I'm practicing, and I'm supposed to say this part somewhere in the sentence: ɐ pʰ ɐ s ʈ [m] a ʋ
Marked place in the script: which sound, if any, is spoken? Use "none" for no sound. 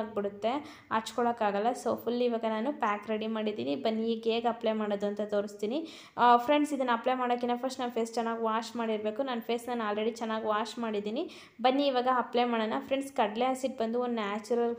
n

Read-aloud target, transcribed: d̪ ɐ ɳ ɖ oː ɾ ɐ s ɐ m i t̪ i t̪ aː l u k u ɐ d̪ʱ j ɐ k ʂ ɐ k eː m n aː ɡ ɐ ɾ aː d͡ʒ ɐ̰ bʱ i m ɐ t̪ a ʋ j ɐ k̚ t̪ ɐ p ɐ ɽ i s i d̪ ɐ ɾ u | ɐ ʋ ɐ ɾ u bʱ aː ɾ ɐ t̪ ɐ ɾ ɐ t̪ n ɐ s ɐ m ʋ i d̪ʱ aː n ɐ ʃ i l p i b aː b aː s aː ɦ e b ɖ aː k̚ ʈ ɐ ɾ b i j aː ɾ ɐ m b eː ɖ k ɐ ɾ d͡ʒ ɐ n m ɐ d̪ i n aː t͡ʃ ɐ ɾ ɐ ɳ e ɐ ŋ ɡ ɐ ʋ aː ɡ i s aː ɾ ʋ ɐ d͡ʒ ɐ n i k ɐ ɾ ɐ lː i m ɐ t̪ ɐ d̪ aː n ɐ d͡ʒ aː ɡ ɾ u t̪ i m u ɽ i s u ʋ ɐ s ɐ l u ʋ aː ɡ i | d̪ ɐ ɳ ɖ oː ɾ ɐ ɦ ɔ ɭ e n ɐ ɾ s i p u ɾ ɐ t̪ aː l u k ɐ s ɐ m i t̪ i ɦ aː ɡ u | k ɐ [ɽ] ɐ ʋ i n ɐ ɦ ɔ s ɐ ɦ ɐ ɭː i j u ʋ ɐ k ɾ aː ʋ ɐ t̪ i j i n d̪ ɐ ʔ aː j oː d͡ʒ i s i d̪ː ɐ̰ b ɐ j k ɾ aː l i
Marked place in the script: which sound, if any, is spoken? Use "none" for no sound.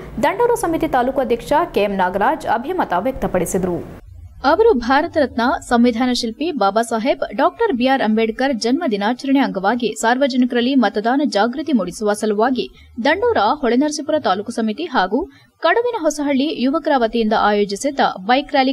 ɽ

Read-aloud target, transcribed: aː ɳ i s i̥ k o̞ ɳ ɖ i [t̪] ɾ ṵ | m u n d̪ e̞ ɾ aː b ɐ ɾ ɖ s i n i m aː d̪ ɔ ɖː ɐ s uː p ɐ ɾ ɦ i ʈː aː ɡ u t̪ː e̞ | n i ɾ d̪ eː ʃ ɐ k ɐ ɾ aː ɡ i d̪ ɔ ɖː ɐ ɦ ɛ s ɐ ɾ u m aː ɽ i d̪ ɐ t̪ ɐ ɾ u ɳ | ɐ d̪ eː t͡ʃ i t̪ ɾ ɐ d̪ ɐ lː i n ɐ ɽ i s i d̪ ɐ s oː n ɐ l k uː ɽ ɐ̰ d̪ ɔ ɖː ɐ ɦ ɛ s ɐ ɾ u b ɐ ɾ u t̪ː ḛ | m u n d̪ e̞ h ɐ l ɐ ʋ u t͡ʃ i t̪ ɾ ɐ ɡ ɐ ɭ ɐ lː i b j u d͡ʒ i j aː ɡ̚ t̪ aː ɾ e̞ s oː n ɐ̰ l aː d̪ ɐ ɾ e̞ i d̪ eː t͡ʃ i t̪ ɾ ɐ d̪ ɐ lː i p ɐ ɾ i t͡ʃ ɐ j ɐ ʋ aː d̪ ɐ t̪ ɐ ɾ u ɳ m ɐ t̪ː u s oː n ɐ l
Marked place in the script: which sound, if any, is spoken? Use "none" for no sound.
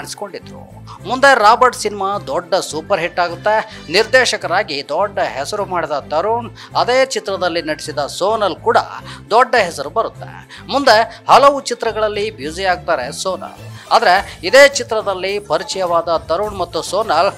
d̪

